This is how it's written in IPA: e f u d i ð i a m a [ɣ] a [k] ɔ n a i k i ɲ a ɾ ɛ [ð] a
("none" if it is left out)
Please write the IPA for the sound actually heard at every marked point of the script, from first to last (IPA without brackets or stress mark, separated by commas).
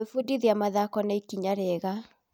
ð, k, ɣ